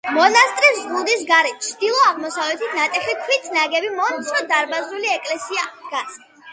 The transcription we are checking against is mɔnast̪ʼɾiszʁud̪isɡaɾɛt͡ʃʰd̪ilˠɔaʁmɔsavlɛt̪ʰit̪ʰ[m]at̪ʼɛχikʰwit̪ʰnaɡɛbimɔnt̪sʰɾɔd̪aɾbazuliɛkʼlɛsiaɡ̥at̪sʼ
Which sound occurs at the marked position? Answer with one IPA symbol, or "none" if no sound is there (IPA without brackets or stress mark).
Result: n